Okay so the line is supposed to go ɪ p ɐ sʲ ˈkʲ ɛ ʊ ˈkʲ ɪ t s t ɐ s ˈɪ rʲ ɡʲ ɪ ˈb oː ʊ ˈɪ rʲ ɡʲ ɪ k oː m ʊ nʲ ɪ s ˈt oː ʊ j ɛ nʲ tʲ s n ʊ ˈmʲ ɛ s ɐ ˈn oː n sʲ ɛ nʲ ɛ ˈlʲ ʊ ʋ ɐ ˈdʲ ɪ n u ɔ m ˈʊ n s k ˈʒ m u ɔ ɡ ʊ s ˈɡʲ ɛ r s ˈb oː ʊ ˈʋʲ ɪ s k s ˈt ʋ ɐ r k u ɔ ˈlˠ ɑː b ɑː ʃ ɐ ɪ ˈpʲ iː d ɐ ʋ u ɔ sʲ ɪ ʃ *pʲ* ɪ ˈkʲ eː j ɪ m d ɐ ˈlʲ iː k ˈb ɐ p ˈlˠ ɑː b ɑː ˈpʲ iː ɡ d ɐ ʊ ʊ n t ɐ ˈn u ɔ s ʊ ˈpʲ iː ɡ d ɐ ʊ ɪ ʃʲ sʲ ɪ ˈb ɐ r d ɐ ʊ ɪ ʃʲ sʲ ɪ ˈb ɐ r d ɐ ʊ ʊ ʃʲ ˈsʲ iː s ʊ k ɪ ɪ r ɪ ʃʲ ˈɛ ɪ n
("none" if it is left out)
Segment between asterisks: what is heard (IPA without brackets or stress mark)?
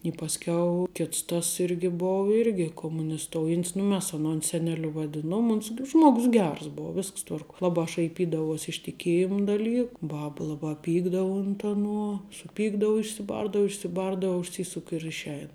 tʲ